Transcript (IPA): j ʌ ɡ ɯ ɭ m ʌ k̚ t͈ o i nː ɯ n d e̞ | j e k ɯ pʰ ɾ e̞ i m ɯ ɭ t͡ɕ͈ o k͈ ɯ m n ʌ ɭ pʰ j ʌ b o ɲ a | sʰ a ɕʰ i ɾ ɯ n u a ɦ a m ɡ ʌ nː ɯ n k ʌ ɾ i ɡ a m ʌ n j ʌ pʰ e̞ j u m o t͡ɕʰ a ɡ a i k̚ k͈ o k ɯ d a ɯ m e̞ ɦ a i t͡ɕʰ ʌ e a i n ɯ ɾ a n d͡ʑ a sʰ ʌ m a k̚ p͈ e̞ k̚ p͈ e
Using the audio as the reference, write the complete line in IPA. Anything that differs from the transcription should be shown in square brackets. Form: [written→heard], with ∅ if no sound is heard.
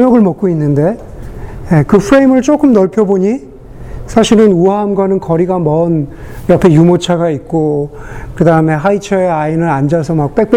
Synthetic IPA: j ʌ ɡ ɯ ɭ m ʌ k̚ [t͈→k͈] o i nː ɯ n d e̞ | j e k ɯ pʰ ɾ e̞ i m ɯ ɭ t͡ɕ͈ o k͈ ɯ m n ʌ ɭ pʰ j ʌ b o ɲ [a→i] | sʰ a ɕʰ i ɾ ɯ n u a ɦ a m ɡ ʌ [nː→n] ɯ n k ʌ ɾ i ɡ a m ʌ n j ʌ pʰ e̞ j u m o t͡ɕʰ a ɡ a i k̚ k͈ o k ɯ d a ɯ m e̞ ɦ a i t͡ɕʰ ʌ e a i n ɯ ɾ a n d͡ʑ a sʰ ʌ m a k̚ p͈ e̞ k̚ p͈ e